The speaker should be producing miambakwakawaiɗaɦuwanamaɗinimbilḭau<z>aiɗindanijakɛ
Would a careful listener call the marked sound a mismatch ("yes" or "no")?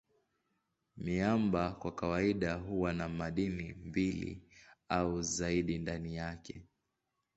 no